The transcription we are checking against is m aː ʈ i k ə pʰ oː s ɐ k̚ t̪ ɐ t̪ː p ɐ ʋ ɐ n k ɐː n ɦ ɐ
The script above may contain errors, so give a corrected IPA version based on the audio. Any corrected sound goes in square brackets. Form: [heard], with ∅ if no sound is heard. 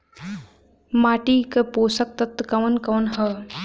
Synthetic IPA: m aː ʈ i k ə [p] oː s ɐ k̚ t̪ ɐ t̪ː [k] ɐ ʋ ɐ n k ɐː n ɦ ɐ

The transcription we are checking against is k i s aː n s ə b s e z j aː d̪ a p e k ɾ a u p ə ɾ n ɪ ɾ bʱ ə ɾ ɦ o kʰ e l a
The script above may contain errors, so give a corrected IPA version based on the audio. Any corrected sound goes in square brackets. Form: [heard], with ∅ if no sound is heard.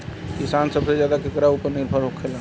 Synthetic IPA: k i s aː n s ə b s e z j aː d̪ a [k] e k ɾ a u p ə ɾ n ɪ ɾ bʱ ə ɾ ɦ o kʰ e l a

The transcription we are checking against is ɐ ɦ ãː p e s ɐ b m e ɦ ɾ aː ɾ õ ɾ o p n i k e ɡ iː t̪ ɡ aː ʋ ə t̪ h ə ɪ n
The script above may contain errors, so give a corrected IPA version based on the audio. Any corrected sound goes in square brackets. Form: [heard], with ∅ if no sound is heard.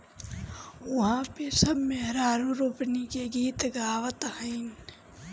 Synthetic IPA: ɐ ɦ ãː p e s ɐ b m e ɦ ɾ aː ɾ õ ɾ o p n i k e ɡ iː t̪ ɡ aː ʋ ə t̪ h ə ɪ n

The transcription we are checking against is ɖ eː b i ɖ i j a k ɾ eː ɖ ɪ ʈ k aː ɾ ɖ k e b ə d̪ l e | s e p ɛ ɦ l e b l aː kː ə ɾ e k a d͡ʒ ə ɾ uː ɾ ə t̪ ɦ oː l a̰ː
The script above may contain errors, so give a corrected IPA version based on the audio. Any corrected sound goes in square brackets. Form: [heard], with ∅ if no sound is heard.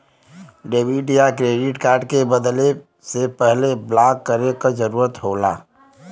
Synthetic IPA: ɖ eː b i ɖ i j a k ɾ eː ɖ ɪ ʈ k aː ɾ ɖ k e b ə d̪ l e | s e p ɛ ɦ l e b l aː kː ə ɾ e k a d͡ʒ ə ɾ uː ɾ ə t̪ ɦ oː l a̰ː

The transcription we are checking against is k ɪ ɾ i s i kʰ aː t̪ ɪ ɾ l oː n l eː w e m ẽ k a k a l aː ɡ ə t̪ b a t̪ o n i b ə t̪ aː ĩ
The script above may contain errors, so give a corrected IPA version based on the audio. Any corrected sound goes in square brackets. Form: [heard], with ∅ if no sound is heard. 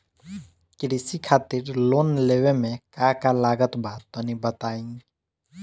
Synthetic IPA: k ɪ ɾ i s i kʰ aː t̪ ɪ ɾ l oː n l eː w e m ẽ k a k a l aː ɡ ə t̪ b a t̪ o n i b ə t̪ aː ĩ

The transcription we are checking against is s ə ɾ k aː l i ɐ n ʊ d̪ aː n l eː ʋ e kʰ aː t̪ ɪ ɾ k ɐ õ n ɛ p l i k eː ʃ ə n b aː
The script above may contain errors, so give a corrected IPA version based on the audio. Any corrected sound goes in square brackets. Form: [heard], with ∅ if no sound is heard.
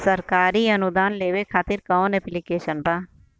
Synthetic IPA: s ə ɾ k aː [ɾ] i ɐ n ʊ d̪ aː n l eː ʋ e kʰ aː t̪ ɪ ɾ k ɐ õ n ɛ p l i k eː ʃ ə n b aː

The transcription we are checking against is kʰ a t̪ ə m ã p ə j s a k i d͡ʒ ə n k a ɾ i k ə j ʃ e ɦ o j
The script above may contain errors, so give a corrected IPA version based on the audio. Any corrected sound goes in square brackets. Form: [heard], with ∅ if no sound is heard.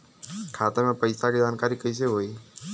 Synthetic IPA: kʰ a t̪ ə m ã p ə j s a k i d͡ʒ [a] n k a ɾ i k ə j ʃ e ɦ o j

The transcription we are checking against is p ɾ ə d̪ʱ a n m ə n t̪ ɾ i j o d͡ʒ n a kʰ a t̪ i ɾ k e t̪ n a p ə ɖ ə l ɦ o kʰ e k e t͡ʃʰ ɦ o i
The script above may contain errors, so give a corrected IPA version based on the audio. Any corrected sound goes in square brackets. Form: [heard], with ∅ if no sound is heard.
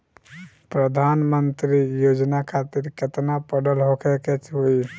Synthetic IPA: p ɾ ə d̪ʱ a n m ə n t̪ ɾ i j o d͡ʒ n a kʰ a t̪ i ɾ k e t̪ n a p ə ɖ ə l ɦ o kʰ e k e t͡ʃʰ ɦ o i

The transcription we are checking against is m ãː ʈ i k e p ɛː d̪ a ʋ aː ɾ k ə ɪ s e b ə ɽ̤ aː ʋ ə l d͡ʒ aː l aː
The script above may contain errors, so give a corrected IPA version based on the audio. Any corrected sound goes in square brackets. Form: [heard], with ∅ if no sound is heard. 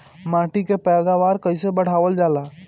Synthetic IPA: m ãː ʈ i k e p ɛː d̪ a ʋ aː ɾ k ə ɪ s e b ə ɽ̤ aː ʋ ə l d͡ʒ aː l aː

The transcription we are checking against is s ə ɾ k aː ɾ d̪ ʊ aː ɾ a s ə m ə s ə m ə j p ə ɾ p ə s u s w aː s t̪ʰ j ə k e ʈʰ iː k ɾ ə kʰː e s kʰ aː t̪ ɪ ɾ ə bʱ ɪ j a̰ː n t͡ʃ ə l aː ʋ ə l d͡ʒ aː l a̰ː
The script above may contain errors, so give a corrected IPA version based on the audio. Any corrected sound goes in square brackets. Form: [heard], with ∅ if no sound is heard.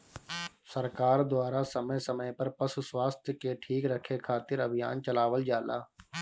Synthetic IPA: s ə ɾ k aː ɾ d̪ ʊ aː ɾ a s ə m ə s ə m ə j p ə ɾ p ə s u s w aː s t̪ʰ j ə k e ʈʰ iː k ɾ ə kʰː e [∅] kʰ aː t̪ ɪ ɾ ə bʱ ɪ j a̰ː n t͡ʃ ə l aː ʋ ə l d͡ʒ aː l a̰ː

